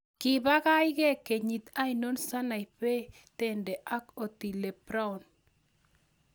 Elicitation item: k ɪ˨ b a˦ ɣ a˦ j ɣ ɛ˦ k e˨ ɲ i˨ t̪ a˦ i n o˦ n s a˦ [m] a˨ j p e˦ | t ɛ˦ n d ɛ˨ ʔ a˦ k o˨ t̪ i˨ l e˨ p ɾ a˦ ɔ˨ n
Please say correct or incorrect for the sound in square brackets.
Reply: incorrect: n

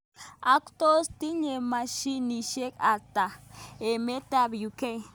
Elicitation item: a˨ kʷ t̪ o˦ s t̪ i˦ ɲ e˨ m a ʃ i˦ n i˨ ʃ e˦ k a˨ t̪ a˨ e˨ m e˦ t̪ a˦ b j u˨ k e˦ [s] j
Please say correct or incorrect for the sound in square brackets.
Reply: incorrect: none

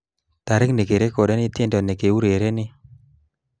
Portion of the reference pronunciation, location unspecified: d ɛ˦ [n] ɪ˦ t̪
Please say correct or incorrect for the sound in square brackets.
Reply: correct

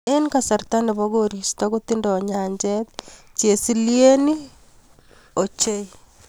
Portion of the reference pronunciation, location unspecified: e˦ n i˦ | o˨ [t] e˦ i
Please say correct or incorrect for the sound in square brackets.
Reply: incorrect: t͡ʃ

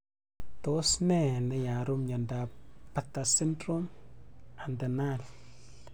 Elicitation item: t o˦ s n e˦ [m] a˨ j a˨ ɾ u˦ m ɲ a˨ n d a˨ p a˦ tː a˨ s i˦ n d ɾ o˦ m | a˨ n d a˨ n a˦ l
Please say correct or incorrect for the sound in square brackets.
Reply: incorrect: n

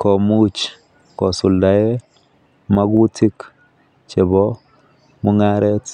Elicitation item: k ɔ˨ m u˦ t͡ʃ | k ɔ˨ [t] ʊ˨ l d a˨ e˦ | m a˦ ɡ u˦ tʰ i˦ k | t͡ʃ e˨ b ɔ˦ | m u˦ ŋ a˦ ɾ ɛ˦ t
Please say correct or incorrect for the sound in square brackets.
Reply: incorrect: s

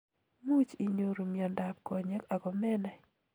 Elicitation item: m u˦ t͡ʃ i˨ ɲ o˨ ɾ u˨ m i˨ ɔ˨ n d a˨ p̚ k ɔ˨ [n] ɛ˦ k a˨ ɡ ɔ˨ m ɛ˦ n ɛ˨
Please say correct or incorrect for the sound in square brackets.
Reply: incorrect: ɲ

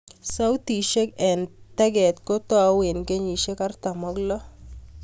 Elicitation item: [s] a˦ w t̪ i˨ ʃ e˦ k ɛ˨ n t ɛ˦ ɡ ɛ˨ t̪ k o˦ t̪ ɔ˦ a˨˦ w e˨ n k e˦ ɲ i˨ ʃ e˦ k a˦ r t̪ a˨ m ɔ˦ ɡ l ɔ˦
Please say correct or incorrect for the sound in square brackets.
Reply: correct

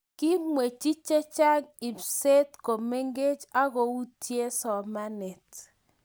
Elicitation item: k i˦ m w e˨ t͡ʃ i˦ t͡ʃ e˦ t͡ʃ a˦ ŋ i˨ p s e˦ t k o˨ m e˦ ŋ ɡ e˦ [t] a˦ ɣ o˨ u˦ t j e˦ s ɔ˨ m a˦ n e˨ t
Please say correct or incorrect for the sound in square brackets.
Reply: incorrect: t͡ʃ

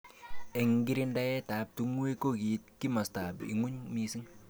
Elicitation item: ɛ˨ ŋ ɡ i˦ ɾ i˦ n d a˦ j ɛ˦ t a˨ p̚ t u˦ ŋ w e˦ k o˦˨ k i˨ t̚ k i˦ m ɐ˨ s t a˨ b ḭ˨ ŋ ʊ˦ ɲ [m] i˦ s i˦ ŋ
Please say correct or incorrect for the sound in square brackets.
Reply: correct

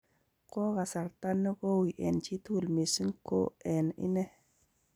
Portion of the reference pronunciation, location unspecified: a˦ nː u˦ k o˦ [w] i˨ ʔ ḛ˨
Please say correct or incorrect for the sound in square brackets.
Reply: correct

